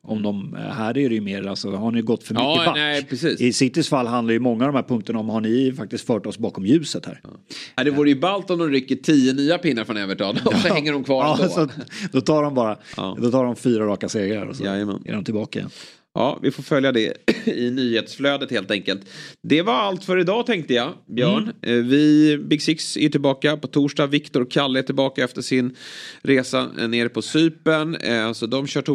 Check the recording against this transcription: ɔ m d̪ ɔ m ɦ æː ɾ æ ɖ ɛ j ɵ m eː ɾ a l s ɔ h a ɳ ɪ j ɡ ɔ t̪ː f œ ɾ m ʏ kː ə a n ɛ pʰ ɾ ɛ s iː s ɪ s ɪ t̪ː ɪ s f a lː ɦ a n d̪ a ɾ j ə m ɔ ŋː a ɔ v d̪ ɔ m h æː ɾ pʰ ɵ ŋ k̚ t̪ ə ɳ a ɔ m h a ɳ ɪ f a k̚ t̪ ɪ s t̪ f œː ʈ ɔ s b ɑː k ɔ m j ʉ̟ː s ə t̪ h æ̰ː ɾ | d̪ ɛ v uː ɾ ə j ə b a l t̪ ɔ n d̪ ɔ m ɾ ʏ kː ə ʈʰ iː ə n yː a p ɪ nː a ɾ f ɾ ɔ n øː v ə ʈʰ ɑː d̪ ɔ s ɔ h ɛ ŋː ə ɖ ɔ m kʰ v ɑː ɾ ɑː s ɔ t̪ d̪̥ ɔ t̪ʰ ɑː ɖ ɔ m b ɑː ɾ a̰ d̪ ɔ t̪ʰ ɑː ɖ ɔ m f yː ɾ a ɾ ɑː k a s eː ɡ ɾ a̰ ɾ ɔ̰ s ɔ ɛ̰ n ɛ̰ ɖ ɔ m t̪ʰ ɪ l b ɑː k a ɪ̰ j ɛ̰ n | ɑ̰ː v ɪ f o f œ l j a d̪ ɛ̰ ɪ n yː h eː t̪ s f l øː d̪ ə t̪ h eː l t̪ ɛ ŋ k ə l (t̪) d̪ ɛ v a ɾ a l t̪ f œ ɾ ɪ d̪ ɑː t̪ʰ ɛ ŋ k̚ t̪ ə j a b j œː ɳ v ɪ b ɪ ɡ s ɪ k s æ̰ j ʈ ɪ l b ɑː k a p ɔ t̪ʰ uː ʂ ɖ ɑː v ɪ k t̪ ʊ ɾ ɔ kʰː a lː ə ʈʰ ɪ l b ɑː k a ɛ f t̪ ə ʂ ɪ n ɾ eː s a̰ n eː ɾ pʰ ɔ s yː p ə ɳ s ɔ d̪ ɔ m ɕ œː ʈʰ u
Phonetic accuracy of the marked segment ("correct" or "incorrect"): correct